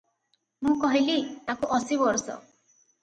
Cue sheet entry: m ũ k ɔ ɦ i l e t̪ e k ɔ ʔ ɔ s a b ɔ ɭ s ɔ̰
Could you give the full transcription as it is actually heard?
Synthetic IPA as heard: m ũ k ɔ ɦ i l i t̪ a k u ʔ ɔ s i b ɔ ɾ s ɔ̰